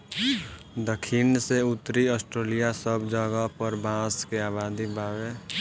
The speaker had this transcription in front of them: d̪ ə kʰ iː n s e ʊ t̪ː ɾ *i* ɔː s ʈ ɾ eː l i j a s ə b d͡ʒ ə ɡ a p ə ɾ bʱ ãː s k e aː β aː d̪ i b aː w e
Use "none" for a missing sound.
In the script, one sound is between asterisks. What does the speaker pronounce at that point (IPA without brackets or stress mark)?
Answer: i